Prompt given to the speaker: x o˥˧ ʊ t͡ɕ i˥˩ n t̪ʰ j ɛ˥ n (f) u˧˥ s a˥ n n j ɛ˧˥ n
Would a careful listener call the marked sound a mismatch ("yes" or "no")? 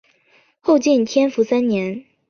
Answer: no